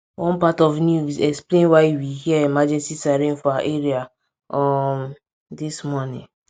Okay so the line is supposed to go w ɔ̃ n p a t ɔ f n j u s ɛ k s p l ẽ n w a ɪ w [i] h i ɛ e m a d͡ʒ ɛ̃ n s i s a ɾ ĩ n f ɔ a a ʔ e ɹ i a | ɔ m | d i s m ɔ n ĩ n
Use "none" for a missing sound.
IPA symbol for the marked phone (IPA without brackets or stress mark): i